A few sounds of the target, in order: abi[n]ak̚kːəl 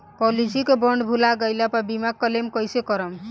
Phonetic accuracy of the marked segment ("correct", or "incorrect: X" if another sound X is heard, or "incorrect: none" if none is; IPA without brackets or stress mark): incorrect: m